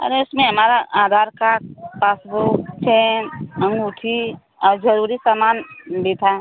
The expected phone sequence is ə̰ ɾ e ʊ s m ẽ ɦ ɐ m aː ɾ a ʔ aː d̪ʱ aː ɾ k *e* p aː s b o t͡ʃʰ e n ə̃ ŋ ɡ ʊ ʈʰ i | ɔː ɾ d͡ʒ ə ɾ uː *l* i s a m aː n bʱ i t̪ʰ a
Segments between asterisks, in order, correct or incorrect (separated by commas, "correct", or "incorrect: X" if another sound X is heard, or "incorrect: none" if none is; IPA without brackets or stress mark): incorrect: a, incorrect: ɾ